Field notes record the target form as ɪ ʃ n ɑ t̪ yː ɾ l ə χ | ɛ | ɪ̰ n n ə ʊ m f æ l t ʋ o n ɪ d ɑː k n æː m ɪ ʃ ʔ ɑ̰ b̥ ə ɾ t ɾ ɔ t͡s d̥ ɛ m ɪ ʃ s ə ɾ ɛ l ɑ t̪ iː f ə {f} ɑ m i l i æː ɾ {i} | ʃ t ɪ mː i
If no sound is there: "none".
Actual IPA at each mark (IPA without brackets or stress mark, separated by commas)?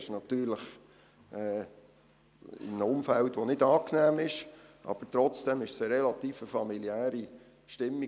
f, i